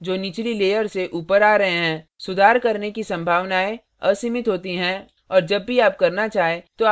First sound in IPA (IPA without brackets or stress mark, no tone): d͡ʒ